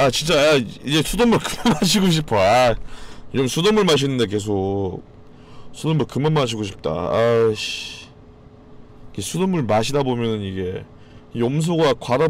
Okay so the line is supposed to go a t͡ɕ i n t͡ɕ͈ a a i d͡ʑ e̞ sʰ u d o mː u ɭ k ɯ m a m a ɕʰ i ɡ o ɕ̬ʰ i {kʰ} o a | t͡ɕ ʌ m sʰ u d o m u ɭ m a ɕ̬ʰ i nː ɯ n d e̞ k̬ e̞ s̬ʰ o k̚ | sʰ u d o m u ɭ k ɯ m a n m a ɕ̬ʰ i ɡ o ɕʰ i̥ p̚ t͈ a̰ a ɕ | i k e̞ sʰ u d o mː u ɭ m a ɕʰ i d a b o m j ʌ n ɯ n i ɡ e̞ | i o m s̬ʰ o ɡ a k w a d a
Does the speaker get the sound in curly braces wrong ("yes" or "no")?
yes